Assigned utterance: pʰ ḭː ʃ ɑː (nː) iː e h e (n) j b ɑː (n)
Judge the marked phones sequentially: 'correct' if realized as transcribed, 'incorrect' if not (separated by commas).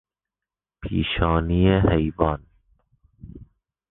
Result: incorrect, incorrect, correct